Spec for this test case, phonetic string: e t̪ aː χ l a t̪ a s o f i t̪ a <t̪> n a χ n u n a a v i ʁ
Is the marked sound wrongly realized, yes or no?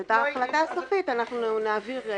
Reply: yes